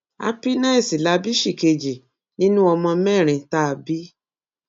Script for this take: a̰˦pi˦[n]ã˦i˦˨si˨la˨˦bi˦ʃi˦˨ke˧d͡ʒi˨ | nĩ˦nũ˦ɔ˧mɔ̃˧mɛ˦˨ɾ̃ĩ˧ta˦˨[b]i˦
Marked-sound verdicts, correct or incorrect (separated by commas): correct, correct